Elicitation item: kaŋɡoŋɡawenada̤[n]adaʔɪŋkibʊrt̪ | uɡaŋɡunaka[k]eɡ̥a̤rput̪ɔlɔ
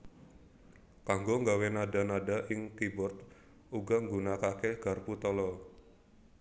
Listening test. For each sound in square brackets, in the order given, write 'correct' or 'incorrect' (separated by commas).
correct, correct